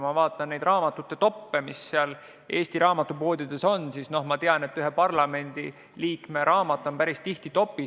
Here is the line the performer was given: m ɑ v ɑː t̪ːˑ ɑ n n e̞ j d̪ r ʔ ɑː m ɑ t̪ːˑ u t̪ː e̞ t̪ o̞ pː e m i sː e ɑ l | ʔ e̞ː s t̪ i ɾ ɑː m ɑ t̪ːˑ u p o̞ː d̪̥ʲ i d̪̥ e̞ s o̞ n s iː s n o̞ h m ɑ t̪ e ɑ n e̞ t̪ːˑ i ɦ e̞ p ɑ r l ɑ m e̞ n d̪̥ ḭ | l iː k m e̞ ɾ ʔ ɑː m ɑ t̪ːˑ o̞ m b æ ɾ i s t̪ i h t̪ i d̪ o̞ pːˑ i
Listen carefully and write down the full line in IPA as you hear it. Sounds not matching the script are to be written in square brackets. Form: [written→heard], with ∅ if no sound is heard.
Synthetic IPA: m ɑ v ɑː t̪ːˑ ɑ n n e̞ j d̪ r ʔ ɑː m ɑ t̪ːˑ u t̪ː e̞ t̪ o̞ pː e m i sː e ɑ l | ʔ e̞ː s t̪ i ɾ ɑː m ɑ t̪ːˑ u p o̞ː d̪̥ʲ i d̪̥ e̞ s o̞ n s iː s n o̞ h m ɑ t̪ e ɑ n e̞ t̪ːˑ [i→y] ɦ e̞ p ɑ r l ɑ m e̞ n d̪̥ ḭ | l iː k m e̞ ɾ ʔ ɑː m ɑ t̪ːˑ o̞ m [b→p] æ ɾ i s t̪ i h t̪ i [d̪→t̪] o̞ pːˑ i